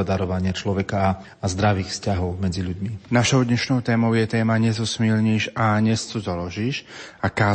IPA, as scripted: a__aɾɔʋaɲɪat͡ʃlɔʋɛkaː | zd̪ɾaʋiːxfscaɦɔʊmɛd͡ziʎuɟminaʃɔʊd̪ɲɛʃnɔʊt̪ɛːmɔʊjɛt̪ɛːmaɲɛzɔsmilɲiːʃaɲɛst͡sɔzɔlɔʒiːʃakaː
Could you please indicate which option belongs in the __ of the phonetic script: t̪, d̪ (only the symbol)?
d̪